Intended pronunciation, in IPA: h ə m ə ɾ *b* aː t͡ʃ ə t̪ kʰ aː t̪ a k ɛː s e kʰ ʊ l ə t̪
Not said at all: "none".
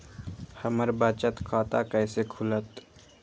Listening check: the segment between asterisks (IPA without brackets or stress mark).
b